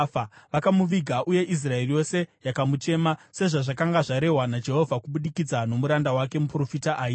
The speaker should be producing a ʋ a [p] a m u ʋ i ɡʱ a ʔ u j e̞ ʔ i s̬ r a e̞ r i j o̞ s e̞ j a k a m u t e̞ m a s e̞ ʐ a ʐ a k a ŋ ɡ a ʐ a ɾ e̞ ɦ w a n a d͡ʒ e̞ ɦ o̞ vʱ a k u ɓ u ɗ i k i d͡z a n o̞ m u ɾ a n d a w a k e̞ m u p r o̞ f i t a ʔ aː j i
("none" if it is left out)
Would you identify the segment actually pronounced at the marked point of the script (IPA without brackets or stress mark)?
k